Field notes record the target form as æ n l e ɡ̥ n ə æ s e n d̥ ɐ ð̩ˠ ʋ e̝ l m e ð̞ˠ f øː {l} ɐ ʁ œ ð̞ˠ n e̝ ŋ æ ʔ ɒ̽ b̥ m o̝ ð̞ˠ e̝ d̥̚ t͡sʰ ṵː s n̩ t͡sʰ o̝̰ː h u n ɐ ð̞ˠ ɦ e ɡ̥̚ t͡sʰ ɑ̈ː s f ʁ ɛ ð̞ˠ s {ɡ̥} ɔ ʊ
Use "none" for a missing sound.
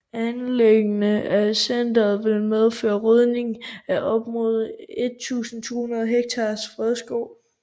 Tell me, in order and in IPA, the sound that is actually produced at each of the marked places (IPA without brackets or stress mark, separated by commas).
none, ɡ̥